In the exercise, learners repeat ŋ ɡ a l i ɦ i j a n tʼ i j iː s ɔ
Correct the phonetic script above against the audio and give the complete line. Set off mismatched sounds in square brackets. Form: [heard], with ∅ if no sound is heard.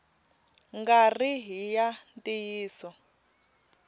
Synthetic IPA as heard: ŋ ɡ a [r] i ɦ i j a n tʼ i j iː s ɔ